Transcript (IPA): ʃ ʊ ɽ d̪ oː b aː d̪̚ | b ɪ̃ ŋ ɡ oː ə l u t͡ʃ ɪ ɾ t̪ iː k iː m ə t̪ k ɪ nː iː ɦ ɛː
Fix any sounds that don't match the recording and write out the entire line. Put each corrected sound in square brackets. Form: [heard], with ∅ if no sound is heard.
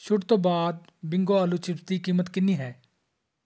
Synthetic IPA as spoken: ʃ ʊ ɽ [t̪] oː b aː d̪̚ | b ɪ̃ ŋ ɡ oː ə l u t͡ʃ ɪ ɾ t̪ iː k iː m ə t̪ k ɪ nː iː ɦ ɛː